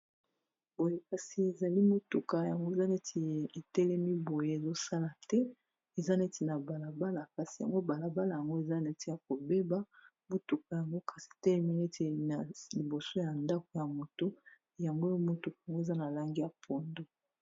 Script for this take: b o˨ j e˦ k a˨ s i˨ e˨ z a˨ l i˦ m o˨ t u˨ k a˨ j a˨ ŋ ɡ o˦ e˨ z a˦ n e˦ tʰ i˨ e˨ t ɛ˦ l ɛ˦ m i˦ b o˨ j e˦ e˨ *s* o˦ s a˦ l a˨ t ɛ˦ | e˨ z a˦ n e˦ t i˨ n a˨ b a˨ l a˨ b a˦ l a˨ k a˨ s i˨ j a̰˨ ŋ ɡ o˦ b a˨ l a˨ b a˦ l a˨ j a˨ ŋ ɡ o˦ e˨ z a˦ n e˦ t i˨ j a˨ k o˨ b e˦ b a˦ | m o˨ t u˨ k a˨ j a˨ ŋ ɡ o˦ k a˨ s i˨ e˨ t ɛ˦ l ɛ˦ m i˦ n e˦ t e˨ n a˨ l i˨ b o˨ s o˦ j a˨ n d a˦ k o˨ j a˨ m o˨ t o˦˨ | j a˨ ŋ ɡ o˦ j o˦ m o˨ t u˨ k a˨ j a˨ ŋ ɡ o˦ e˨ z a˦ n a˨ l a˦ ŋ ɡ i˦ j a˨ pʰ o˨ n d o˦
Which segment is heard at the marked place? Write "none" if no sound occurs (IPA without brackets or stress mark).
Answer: z